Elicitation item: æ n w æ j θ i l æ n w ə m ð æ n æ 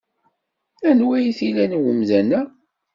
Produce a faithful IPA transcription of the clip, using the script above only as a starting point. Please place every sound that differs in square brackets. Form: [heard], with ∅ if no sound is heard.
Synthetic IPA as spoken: æ n w æ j θ i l æ n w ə m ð æ n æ

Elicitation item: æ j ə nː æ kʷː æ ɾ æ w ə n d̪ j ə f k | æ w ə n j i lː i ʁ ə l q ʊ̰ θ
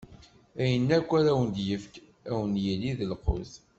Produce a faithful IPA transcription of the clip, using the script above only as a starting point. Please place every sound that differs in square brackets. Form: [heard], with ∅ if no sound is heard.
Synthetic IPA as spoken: æ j ə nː æ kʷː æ ɾ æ w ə n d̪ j ə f k | æ w ə n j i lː i [ð] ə l q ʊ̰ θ

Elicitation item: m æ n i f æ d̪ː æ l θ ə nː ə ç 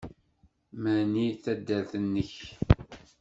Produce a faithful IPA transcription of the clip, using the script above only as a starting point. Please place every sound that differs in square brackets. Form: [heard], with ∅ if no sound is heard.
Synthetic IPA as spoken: m æ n i [θ] æ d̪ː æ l θ ə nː ə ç

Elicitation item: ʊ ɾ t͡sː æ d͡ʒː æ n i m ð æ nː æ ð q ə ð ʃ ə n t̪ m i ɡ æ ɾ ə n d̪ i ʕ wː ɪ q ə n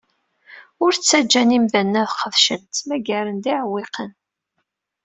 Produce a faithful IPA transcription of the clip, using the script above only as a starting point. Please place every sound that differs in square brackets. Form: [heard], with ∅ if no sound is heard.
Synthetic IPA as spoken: ʊ ɾ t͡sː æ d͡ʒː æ n i m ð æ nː æ ð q ə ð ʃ ə n t̪ m [æ] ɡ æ ɾ ə n d̪ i ʕ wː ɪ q ə n

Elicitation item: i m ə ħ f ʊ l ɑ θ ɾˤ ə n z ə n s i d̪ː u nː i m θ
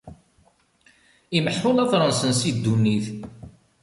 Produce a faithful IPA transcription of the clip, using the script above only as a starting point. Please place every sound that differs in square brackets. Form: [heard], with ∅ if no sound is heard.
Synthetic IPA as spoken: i m ə ħ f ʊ l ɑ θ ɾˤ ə n [s] ə n s i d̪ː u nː i [∅] θ

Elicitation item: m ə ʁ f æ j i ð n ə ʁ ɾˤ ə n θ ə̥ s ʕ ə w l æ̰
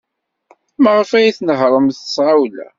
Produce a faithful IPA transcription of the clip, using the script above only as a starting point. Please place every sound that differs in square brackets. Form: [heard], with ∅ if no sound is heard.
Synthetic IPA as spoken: m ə ʁ f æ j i [θ] n ə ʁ ɾˤ ə [m] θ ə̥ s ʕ [a] w l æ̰

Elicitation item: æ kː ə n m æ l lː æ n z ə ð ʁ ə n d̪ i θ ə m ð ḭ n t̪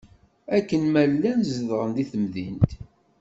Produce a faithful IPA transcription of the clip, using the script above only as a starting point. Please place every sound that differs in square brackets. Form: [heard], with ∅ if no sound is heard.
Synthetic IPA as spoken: æ kː ə n m æ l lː æ n z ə ð ʁ ə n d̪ i θ ə m ð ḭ n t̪

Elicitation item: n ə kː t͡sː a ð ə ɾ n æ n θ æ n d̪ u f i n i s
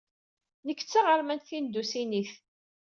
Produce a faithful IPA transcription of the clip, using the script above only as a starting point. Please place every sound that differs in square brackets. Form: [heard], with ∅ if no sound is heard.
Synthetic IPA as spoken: n ə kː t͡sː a [ʁ] ə ɾ [m] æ n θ [i] n d̪ u [s] i n i [θ]

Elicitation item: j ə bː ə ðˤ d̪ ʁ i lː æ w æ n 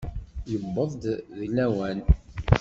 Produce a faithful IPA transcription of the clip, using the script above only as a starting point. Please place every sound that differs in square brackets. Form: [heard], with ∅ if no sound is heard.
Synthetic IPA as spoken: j ə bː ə ðˤ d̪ [ð] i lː æ w æ n

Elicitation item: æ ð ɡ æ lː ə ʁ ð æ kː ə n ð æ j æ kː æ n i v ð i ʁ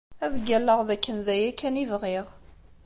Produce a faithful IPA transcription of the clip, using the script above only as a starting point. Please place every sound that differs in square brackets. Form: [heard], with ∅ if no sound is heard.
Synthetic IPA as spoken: æ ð ɡ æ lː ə ʁ ð æ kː ə n ð æ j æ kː æ n i v [ʁ] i ʁ

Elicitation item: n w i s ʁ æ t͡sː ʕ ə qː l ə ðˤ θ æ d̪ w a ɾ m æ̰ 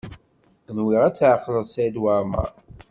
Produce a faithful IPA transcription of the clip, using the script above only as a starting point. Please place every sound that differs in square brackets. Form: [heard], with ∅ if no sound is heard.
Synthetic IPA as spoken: n w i [∅] ʁ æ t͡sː ʕ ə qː l ə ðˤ [s] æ d̪ w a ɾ m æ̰

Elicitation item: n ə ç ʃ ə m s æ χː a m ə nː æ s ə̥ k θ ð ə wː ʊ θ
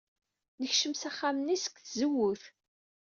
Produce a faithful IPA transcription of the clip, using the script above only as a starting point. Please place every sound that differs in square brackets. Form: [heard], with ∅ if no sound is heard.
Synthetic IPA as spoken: n ə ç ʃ ə m s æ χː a m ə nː [i] s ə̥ k θ [z] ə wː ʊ θ

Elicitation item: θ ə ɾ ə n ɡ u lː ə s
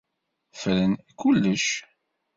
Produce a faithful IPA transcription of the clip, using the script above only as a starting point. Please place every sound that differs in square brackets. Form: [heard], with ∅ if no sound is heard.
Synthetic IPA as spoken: [f] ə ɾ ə n [k] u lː ə [ʃ]

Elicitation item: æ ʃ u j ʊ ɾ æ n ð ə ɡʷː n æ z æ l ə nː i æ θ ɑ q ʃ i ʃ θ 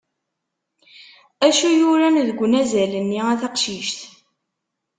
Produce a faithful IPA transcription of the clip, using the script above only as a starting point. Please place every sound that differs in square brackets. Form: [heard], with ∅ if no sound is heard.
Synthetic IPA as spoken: æ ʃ u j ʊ ɾ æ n ð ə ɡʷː n æ z æ l ə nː i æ θ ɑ q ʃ i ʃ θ

